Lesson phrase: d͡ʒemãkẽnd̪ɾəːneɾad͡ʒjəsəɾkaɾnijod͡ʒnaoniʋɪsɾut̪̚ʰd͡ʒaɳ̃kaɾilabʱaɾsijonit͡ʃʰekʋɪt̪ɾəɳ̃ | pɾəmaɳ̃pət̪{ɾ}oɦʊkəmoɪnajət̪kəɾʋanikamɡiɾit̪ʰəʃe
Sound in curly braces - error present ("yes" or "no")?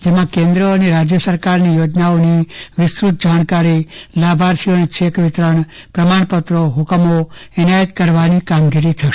no